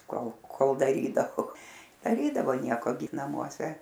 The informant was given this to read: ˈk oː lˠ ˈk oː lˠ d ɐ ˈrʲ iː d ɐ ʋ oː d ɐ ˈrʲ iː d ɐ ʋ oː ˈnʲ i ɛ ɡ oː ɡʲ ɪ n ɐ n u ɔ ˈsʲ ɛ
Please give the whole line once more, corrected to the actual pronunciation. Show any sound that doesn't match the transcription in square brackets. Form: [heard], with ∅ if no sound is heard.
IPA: ˈk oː lˠ ˈk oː lˠ d ɐ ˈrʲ iː d ɐ ʋ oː d ɐ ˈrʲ iː d ɐ ʋ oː ˈnʲ i ɛ [k] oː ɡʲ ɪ n ɐ [m] u ɔ ˈsʲ ɛ